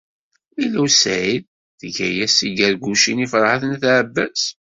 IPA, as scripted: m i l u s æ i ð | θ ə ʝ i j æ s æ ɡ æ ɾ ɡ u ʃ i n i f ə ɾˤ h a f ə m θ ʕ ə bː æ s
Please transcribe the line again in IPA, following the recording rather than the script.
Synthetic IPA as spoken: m i l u s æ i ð | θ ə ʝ æ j æ s i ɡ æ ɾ ɡ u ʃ i n i f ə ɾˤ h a θ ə n θ ʕ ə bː æ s